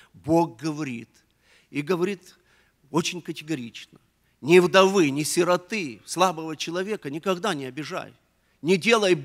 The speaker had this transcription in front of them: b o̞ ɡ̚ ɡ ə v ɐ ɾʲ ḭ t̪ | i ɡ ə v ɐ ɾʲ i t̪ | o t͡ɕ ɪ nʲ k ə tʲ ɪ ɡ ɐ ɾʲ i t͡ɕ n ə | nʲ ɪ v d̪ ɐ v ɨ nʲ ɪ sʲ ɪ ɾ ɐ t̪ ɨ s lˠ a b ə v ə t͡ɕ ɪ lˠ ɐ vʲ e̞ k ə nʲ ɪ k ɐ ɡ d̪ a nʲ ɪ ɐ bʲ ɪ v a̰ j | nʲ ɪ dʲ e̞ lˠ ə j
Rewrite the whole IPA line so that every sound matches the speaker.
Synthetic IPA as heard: b o̞ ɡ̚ ɡ ə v ɐ ɾʲ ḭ t̪ | i ɡ ə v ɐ ɾʲ i t̪ | o t͡ɕ ɪ nʲ k ə tʲ ɪ ɡ ɐ ɾʲ i t͡ɕ n ə | nʲ ɪ v d̪ ɐ v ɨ nʲ ɪ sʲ ɪ ɾ ɐ t̪ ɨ s lˠ a b ə v ə t͡ɕ ɪ lˠ ɐ vʲ e̞ k ə nʲ ɪ k ɐ ɡ d̪ a nʲ ɪ ɐ bʲ ɪ ʐ a̰ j | nʲ ɪ dʲ e̞ lˠ ə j